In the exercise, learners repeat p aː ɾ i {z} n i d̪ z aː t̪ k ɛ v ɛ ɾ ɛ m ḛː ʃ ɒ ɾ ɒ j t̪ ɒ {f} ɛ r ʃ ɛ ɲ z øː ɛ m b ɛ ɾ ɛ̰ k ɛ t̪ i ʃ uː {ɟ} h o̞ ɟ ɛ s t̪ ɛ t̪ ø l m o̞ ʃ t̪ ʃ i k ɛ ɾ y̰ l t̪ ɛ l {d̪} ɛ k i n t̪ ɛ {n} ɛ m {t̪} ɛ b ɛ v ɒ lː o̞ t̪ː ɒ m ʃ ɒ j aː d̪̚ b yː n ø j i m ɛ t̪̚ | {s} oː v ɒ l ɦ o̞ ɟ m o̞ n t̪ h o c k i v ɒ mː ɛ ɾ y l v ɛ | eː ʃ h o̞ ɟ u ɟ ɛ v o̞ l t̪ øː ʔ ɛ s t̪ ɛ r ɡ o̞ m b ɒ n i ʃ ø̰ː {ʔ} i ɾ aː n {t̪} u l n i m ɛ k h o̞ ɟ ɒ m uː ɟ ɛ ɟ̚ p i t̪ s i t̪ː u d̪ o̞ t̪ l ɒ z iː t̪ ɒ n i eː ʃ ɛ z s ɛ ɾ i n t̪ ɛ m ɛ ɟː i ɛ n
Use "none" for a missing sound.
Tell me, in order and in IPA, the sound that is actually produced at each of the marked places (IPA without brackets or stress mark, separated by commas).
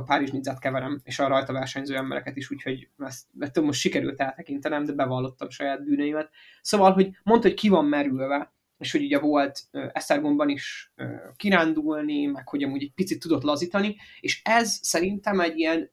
ʒ, v, c, t̪, n, d̪, s, k, d̪